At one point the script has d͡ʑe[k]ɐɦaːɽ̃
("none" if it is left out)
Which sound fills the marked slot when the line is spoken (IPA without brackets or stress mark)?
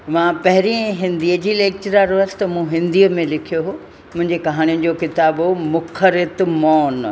k